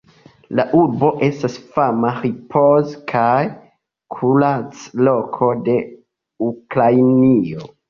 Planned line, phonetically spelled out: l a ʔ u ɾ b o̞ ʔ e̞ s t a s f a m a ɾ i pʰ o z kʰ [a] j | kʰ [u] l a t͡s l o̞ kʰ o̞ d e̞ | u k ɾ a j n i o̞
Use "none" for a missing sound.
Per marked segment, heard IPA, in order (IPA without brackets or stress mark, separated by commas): a, u